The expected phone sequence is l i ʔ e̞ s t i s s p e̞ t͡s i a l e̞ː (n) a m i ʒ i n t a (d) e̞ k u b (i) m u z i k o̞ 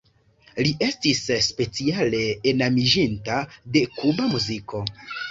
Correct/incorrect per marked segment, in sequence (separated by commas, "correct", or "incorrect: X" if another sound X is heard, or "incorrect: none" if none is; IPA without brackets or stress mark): correct, correct, incorrect: a